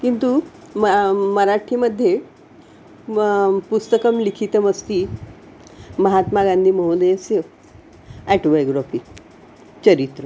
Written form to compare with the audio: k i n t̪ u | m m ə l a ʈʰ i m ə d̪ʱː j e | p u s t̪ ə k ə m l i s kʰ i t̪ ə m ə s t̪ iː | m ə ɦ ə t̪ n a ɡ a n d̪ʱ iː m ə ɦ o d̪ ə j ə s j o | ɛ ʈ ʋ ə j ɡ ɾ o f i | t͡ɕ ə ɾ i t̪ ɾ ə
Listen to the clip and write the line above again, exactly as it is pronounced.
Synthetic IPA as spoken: k i n t̪ u | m m ə ɾ a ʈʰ i m ə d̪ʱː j e | p u s t̪ ə k ə m l i kʰ i t̪ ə m ə s t̪ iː | m ə ɦ a t̪ m a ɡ a n d̪ʱ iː m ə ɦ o d̪ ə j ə s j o | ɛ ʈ ʋ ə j ɡ ɾ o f i | t͡ɕ ə ɾ i t̪ ɾ ə